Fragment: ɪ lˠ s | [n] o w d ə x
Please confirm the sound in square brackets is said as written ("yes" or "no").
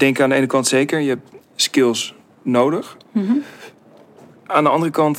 yes